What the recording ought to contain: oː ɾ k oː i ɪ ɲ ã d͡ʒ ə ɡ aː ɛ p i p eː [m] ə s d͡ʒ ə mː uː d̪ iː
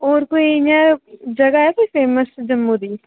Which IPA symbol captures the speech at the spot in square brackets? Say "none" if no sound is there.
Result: m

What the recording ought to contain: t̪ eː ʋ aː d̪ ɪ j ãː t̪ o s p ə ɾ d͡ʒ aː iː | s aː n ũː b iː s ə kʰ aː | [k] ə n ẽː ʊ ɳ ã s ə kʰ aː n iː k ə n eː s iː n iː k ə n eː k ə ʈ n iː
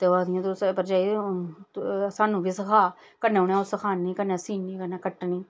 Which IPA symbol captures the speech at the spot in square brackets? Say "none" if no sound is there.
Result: k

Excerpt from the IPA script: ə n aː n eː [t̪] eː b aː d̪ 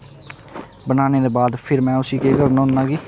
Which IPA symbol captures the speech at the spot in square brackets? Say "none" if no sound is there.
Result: d̪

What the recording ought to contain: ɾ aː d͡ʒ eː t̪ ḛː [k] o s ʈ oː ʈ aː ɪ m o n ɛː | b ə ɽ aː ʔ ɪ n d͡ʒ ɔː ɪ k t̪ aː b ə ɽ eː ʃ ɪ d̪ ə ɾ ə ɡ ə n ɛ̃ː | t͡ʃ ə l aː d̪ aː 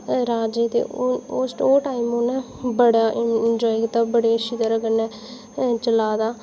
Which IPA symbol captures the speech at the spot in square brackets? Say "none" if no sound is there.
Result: none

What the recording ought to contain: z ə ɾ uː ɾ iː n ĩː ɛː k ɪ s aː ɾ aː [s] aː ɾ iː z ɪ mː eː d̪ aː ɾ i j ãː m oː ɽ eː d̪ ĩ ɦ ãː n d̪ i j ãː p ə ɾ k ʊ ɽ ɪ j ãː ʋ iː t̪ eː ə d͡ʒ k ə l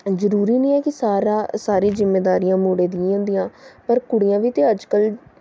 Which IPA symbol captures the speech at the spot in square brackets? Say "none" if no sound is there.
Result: s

